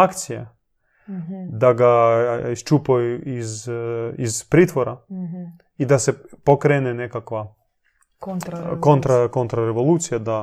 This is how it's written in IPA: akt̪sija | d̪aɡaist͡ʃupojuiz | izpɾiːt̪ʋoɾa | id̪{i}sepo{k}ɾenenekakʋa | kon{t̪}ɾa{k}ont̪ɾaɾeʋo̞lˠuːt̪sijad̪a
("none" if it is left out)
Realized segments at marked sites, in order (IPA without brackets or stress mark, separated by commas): a, k, t̪, k